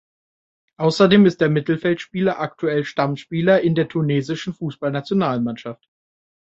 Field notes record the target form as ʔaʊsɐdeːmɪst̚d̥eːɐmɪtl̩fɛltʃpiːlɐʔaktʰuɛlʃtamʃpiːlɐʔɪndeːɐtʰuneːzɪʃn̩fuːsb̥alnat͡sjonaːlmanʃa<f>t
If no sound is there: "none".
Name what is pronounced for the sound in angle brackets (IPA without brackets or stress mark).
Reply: f